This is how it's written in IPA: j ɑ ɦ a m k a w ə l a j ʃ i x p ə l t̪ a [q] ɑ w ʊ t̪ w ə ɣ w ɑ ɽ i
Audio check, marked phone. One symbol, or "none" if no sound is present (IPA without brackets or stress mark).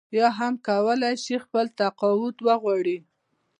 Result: q